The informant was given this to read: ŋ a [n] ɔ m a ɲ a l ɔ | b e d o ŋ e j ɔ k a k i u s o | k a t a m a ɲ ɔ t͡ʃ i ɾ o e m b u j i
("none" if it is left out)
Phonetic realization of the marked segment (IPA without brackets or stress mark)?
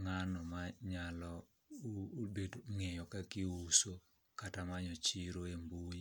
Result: n